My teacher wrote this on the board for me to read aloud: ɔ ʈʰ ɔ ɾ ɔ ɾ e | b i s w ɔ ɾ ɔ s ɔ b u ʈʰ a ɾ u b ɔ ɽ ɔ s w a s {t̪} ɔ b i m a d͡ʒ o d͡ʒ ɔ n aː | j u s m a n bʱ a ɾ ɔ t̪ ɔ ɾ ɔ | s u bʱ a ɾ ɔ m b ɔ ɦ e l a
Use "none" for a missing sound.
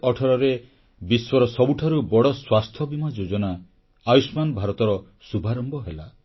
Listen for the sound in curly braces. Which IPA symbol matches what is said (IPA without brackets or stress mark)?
t̪ʰ